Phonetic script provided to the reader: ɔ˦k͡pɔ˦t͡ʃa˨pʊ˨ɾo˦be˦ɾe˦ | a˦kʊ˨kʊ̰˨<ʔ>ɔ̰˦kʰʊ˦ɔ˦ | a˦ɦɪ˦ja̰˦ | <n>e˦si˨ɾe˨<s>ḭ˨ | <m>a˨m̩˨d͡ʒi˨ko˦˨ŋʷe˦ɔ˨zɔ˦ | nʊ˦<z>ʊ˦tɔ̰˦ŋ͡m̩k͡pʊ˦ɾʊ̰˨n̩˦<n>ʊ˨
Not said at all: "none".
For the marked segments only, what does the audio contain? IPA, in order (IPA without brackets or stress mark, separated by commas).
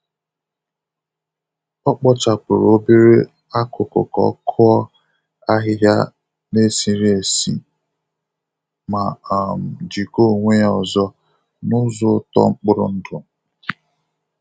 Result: k, n, s, m, z, d